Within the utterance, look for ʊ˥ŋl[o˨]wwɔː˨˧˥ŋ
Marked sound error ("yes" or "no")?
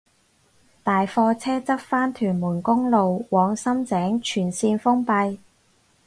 no